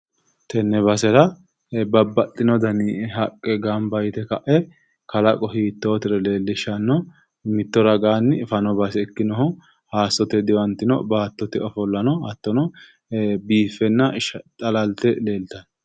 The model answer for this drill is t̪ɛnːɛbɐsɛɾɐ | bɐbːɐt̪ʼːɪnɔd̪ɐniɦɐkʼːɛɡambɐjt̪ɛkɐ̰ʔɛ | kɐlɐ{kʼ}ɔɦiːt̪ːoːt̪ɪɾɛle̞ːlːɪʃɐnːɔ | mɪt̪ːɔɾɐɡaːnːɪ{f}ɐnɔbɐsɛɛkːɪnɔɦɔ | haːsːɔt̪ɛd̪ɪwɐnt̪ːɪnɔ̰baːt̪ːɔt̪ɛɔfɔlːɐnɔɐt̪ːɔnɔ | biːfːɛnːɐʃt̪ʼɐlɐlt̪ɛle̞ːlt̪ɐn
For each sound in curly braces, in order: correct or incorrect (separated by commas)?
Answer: correct, correct